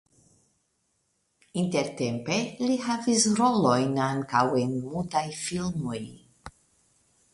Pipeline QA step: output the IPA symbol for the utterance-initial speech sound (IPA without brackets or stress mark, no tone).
i